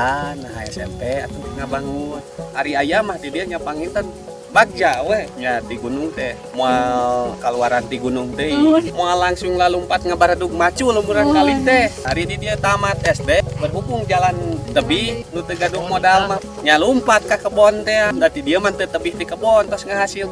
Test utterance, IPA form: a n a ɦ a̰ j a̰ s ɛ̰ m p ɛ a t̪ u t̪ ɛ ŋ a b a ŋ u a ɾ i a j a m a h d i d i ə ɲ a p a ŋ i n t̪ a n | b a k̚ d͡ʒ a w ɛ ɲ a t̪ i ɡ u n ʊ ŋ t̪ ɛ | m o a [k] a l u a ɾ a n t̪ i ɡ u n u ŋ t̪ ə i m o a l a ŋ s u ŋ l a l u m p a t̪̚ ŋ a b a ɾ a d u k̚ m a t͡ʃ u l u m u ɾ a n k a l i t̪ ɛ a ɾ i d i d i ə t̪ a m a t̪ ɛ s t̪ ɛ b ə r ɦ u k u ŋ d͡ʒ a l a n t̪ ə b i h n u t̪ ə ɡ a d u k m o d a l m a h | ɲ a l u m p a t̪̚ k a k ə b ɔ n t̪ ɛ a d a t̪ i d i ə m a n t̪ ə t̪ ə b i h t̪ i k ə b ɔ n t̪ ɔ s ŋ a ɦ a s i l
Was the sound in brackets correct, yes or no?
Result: yes